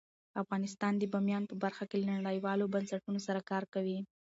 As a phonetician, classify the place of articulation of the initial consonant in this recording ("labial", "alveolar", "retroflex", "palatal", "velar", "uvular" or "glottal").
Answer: labial